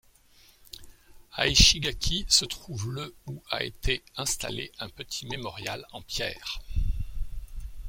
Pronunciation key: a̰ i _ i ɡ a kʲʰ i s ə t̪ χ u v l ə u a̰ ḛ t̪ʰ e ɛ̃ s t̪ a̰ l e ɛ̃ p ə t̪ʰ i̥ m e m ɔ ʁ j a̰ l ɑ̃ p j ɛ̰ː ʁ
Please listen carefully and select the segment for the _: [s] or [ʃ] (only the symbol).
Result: ʃ